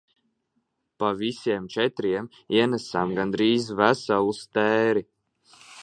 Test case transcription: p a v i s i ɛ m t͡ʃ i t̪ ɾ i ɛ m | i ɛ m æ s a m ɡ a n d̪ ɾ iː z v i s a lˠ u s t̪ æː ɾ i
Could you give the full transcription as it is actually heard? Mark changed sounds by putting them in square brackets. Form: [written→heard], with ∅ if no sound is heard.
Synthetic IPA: p a v i s i ɛ m t͡ʃ [i→ɛ] t̪ ɾ i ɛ m | i ɛ [m→n] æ s a m ɡ a n d̪ ɾ iː z v [i→æ] s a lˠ u s t̪ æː ɾ i

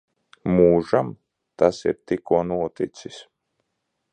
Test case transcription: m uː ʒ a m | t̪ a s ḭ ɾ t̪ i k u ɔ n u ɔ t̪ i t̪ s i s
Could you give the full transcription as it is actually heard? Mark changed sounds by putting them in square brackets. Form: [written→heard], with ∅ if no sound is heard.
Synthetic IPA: m uː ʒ a m | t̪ a s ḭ ɾ t̪ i k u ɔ n u ɔ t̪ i t̪ s i s

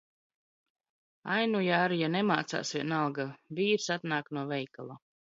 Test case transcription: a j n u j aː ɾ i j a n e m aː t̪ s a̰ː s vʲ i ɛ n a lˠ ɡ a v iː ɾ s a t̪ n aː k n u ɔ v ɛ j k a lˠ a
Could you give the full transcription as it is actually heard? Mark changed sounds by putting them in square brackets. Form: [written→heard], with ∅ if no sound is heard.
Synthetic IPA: a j n u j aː ɾ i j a n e m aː t̪ s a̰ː s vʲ i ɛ n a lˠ ɡ a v iː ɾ s a t̪ n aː k n u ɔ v ɛ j k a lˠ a

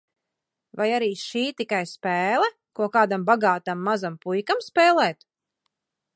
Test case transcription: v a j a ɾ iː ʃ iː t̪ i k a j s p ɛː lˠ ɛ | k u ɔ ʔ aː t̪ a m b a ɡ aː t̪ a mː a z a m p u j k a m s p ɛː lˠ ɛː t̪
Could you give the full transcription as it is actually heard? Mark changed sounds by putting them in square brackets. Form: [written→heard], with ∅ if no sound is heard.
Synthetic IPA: v a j a ɾ iː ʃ iː t̪ i k a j s p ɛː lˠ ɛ | k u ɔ [ʔ→k] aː [t̪→d̪] a m b a ɡ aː t̪ a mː a z a m p u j k a m s p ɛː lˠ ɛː t̪

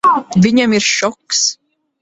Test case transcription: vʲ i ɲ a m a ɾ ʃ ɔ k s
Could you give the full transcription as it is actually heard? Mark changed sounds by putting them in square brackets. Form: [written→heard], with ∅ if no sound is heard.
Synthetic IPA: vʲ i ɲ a m [a→i] ɾ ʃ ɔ k s

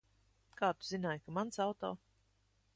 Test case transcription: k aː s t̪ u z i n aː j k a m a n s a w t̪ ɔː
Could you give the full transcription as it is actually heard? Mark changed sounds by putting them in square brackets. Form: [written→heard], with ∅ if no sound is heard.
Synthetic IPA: k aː [s→∅] t̪ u z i n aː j k a m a n s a w t̪ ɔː

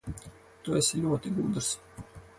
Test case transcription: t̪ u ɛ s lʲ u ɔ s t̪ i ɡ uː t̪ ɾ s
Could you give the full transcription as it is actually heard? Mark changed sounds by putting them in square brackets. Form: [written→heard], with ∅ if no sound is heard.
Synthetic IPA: t̪ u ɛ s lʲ u ɔ [s→∅] t̪ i ɡ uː [t̪→d̪] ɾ s

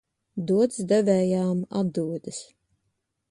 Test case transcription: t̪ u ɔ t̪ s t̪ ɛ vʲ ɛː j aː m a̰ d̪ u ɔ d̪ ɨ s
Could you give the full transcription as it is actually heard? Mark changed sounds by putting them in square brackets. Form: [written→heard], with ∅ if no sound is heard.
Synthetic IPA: [t̪→d̪] u ɔ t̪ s [t̪→d̪] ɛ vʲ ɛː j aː m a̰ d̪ u ɔ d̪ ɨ s

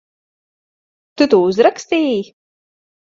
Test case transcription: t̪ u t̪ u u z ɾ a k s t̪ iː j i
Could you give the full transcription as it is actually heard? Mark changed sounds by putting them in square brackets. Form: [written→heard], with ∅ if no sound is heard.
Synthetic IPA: t̪ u t̪ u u z ɾ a k s t̪ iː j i

